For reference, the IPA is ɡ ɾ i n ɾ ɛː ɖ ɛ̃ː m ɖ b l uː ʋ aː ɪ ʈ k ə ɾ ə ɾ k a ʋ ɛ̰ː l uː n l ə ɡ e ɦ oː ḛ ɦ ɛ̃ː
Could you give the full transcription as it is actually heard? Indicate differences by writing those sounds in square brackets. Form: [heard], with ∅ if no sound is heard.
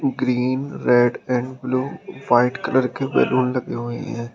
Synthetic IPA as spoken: ɡ ɾ [iː] n ɾ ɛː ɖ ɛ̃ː [ɳ] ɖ b l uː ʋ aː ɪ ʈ k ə [l] ə ɾ k [e] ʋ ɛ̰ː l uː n l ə ɡ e ɦ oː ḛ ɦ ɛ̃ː